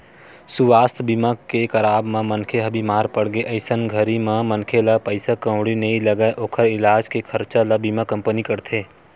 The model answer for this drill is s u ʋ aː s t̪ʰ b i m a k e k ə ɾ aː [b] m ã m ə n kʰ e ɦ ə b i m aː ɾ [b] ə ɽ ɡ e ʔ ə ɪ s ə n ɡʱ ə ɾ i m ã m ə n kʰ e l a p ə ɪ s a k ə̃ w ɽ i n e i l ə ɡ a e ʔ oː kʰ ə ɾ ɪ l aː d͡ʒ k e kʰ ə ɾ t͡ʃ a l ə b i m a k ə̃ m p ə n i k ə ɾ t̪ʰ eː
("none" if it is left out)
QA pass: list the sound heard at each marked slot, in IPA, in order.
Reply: b, p

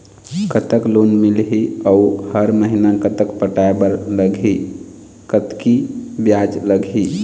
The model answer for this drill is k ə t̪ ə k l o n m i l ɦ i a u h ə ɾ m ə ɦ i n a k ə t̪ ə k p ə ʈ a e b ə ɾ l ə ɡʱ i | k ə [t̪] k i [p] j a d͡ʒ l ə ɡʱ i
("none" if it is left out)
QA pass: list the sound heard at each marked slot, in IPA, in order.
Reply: t̪, b

